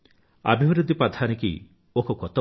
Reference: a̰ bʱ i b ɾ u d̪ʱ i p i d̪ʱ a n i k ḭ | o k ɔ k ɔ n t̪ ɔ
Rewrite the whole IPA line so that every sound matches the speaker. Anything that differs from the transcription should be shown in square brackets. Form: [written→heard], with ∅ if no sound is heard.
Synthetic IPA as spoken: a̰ bʱ i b ɾ u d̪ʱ i p [i→a] d̪ʱ a n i k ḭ | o k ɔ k ɔ [n→∅] t̪ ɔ